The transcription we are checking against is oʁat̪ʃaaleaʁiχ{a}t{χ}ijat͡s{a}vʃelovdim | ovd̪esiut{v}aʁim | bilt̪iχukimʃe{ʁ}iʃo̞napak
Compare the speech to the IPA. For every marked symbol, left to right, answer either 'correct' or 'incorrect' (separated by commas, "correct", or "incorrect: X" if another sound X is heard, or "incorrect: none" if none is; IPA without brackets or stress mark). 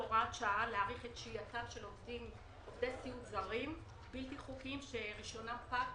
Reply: incorrect: e, incorrect: ʃ, correct, incorrect: z, correct